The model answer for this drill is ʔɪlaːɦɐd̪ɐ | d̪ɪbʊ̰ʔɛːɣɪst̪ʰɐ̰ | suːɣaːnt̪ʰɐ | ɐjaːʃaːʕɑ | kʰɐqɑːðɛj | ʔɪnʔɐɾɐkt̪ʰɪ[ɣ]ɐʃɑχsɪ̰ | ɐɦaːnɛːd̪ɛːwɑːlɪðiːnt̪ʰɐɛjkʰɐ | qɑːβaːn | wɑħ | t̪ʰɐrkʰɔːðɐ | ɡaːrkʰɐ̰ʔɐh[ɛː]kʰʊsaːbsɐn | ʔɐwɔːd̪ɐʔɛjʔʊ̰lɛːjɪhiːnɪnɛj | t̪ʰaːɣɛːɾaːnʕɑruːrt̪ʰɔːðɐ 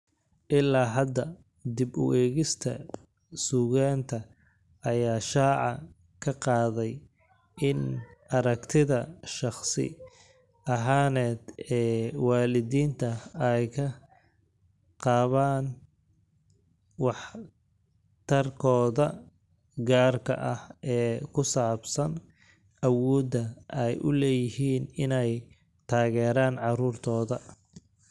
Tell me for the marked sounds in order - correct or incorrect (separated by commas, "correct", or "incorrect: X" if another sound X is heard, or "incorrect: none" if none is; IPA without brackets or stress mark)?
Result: incorrect: ð, correct